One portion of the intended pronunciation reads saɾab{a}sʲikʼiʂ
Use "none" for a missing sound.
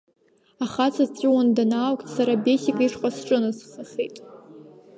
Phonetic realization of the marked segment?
e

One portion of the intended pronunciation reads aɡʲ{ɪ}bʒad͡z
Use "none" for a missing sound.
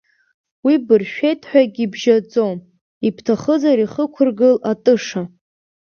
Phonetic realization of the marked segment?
i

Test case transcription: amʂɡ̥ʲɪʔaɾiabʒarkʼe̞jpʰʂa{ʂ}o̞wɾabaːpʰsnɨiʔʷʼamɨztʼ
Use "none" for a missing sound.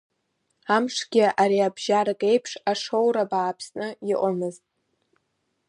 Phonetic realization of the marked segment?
ʂ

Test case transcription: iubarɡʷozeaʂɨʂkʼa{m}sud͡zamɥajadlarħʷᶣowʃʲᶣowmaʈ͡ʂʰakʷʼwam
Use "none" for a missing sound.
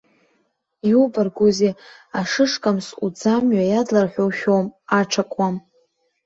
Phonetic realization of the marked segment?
m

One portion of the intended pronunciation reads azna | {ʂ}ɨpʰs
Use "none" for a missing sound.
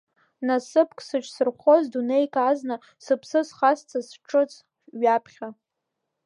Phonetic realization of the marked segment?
s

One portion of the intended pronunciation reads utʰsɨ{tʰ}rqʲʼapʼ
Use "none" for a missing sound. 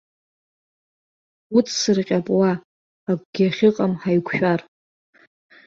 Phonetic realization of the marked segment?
none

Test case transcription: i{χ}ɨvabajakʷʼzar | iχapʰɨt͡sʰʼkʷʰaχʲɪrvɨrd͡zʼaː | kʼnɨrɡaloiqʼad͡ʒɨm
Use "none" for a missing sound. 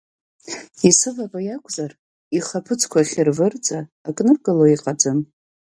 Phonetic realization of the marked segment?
s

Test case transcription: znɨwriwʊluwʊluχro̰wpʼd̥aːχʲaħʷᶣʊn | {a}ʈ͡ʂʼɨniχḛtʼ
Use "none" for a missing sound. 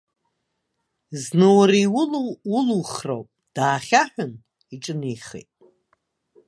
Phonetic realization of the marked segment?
i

